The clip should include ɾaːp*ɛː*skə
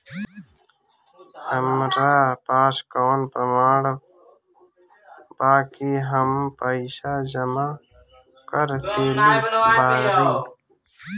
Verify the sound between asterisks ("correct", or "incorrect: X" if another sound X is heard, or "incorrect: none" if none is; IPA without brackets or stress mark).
incorrect: aː